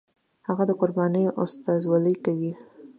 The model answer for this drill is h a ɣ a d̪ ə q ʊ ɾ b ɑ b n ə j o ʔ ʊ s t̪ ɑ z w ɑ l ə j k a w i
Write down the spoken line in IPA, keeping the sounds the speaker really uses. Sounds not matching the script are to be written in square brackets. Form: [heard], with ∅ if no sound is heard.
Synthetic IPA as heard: h a ɣ a d̪ ə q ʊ ɾ b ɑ [∅] n ə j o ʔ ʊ s t̪ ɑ z w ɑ l ə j k a w i